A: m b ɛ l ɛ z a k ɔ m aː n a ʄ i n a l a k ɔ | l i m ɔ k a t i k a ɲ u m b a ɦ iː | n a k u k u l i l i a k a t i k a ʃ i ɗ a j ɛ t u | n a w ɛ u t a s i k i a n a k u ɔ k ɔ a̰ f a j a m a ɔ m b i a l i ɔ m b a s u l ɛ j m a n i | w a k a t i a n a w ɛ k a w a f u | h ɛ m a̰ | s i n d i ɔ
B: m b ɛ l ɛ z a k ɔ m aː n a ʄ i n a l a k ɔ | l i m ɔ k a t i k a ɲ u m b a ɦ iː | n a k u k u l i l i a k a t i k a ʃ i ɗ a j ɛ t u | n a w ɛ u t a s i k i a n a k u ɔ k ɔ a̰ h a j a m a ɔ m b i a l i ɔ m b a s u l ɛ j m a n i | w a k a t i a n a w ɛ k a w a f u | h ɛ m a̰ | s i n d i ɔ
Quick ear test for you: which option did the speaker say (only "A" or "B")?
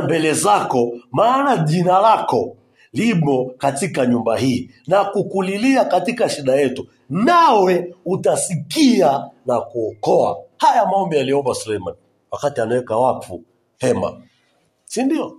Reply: B